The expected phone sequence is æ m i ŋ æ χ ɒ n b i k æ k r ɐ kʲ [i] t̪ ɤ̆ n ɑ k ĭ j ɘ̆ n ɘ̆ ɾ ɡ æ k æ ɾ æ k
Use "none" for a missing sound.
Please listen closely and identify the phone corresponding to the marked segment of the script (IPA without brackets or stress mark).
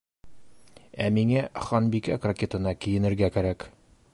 e